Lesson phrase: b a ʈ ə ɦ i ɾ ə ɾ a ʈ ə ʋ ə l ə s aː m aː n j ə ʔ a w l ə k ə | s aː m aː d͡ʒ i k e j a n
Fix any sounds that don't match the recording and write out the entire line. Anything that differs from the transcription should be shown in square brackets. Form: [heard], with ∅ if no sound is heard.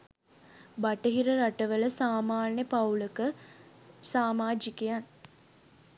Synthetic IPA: b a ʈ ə ɦ i ɾ ə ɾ a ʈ ə ʋ ə l ə s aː m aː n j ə [p] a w l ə k ə | s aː m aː d͡ʒ i k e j a n